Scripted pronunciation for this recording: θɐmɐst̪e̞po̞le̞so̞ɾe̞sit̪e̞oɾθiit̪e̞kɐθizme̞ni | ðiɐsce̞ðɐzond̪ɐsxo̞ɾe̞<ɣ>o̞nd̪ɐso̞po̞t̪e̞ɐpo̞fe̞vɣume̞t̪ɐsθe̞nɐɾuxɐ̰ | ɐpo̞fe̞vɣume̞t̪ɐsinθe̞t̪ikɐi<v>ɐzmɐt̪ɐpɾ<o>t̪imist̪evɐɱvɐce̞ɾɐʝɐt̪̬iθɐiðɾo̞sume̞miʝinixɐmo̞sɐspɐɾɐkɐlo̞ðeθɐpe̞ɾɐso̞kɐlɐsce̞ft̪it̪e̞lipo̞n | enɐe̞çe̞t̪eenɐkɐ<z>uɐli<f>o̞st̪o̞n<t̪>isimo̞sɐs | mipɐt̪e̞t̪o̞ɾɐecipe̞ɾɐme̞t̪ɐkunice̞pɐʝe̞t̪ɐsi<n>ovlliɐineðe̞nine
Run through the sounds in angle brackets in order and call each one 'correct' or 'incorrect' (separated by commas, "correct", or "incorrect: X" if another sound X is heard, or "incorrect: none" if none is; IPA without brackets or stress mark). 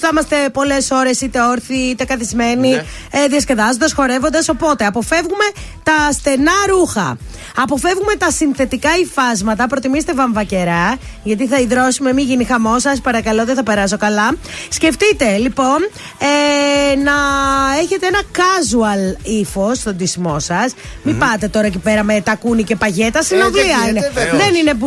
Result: incorrect: v, incorrect: f, correct, correct, correct, incorrect: d̪, correct